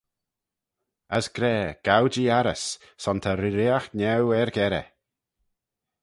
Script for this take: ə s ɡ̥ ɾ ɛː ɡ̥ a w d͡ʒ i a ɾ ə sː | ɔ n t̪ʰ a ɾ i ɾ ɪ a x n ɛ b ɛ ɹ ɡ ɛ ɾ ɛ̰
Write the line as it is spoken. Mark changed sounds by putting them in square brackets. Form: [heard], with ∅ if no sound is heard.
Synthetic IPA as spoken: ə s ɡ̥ ɾ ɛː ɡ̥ a w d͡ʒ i a ɾ ə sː | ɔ n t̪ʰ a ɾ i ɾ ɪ a x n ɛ [w] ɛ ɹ ɡ ɛ ɾ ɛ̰